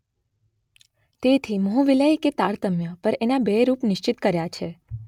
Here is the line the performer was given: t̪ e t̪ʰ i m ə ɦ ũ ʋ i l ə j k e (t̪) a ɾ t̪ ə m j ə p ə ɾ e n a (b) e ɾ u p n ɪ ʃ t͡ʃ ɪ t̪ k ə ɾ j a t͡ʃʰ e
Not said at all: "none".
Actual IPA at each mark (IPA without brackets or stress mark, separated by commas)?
t̪, b